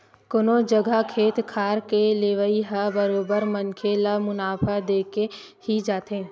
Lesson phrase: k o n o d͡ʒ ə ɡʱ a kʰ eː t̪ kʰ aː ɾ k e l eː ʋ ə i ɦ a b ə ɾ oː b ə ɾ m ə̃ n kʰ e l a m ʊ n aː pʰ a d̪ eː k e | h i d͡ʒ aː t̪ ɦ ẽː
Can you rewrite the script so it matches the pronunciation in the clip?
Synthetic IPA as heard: k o n o d͡ʒ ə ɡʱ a kʰ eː t̪ kʰ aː ɾ k e l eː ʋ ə i ɦ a b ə ɾ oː b ə ɾ m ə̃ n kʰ e l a m ʊ n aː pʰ a d̪ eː k e | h i d͡ʒ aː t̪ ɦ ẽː